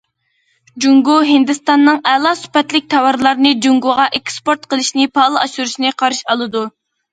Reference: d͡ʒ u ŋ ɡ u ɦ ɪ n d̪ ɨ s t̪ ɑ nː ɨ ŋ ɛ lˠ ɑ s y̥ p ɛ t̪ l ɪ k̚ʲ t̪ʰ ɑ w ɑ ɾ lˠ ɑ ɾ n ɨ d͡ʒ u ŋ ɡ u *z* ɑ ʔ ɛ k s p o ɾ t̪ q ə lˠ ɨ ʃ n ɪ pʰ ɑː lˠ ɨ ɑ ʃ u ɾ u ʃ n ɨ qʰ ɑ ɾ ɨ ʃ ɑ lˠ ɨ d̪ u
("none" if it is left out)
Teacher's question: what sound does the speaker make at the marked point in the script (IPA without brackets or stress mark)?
ʁ